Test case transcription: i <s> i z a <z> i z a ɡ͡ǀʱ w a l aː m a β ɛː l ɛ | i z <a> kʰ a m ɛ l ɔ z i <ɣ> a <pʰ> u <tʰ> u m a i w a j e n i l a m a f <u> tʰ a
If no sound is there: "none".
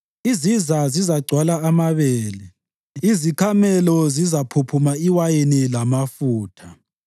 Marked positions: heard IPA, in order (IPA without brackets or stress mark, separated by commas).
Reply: z, z, i, z, pʰ, pʰ, uː